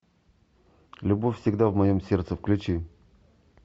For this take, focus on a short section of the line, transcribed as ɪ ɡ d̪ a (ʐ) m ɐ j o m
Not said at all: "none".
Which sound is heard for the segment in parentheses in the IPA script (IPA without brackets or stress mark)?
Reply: v